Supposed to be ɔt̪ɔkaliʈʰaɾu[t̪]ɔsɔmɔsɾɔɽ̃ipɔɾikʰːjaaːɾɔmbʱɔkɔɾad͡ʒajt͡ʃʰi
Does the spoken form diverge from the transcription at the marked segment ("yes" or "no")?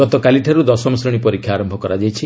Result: yes